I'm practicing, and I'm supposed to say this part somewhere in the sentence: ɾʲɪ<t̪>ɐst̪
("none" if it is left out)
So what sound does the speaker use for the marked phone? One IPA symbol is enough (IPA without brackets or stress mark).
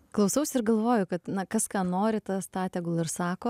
t̪